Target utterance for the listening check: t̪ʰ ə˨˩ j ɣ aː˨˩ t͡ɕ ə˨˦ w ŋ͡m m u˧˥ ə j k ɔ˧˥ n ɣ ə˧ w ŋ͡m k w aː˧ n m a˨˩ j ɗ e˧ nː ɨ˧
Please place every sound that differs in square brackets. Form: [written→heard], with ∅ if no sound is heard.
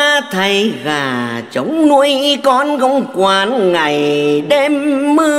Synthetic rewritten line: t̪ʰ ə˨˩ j ɣ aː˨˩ t͡ɕ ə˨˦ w ŋ͡m [m→n] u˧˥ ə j k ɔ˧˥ n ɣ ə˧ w ŋ͡m k w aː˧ n [m→ŋ] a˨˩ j ɗ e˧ [nː→mː] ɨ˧